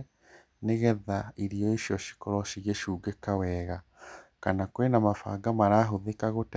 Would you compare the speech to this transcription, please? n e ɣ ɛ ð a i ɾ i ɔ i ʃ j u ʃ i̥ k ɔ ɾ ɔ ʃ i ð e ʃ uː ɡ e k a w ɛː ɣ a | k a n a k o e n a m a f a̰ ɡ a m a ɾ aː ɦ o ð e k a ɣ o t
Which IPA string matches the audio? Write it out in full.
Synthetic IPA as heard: n e ɣ ɛ ð a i ɾ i ɔ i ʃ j ɔ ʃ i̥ k ɔ ɾ ɔ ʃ i ɣ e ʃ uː ɡ e k a w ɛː ɣ a | k a n a k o e n a m a f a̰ ɡ a m a ɾ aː ɦ o ð e k a ɣ o t